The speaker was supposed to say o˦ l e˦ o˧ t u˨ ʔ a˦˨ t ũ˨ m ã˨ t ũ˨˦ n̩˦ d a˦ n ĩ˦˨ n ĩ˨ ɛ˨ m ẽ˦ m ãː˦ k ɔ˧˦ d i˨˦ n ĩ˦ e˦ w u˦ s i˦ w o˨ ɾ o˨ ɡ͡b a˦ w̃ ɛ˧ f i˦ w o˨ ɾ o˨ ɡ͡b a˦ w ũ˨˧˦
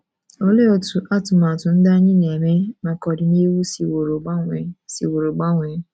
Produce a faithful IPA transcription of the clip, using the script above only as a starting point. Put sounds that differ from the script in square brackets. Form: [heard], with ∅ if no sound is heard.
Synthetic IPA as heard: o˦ l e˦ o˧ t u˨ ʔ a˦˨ t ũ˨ m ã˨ t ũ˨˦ n̩˦ d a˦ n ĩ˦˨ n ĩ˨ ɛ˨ m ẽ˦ m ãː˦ k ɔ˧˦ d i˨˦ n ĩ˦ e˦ w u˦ s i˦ w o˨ ɾ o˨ ɡ͡b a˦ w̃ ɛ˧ [s] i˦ w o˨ ɾ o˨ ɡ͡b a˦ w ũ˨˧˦